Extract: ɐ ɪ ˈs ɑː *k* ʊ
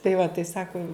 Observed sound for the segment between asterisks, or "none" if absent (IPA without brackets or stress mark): k